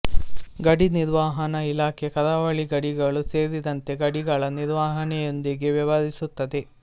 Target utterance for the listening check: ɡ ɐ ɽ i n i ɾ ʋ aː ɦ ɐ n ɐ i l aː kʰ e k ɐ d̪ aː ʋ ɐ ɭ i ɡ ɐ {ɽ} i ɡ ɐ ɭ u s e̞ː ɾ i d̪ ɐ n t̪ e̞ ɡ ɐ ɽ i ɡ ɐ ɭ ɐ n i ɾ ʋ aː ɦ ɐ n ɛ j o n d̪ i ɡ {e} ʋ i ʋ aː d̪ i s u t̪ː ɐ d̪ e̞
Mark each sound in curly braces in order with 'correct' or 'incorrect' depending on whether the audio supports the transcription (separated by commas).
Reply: correct, correct